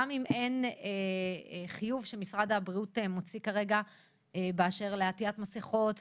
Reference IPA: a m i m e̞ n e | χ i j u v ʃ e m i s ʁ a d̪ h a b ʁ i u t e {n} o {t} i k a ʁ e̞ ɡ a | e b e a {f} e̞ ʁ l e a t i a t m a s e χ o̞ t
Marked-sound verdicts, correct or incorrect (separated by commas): incorrect, incorrect, incorrect